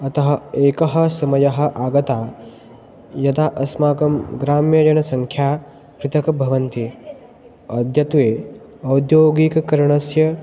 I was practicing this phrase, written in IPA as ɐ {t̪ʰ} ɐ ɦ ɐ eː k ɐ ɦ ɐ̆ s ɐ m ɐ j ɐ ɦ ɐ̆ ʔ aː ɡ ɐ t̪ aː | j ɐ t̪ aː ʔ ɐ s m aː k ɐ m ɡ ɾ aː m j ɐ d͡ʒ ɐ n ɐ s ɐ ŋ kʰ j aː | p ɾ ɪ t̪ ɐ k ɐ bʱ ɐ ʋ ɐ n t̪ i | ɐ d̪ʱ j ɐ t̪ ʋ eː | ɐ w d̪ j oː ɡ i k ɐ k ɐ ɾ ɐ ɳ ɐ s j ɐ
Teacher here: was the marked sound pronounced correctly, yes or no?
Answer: no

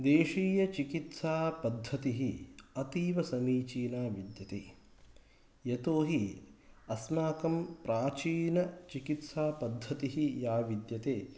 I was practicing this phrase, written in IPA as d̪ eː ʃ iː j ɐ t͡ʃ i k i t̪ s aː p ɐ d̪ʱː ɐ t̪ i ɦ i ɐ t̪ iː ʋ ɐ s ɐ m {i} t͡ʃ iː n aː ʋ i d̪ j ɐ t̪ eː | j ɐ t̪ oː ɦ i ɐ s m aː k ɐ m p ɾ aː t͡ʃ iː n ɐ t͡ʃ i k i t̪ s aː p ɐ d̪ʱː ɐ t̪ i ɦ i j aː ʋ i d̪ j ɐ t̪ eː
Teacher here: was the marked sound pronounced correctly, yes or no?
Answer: no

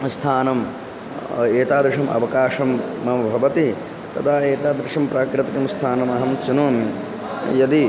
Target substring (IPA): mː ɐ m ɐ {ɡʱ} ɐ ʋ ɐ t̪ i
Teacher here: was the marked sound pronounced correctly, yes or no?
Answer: no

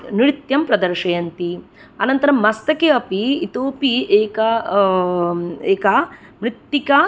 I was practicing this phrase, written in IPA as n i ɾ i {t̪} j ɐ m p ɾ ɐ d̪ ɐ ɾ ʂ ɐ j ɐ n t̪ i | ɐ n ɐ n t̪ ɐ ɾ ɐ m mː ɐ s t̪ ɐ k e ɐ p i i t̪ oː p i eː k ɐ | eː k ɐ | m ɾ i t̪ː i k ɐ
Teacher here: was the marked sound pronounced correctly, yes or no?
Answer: yes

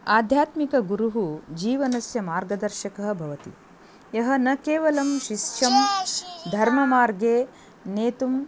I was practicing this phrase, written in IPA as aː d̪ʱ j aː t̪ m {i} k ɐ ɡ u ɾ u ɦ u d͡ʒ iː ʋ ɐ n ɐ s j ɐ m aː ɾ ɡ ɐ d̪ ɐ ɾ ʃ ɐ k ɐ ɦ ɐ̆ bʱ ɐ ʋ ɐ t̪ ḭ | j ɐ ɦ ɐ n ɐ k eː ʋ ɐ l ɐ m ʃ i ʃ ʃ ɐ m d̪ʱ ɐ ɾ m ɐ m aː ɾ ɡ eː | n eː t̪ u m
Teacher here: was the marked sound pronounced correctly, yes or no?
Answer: yes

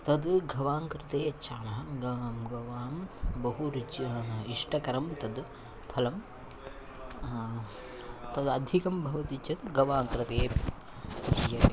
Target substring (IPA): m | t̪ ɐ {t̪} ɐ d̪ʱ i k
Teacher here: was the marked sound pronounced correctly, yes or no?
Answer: no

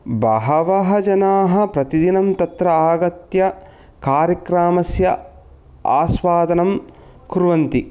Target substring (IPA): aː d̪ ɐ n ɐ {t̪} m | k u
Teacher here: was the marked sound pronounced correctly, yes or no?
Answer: no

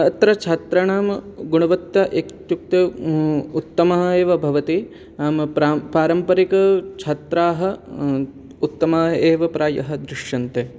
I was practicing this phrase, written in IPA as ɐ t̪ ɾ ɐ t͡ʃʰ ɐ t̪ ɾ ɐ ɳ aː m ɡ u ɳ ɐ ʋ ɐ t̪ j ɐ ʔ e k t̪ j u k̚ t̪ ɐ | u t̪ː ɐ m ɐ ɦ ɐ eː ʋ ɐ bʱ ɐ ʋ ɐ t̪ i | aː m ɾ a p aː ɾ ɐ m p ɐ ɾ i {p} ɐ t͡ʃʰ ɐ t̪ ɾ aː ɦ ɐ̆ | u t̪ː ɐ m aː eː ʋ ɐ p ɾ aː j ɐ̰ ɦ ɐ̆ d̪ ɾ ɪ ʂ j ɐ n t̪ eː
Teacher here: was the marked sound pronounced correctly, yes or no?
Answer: no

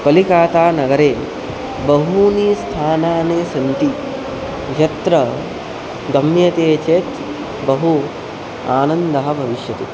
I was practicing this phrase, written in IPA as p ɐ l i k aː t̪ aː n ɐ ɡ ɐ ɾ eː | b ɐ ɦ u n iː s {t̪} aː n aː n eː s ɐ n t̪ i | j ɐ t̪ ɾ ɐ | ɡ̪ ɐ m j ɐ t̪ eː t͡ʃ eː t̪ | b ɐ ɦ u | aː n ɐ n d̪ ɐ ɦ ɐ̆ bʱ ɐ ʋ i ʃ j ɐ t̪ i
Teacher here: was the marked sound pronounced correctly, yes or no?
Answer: no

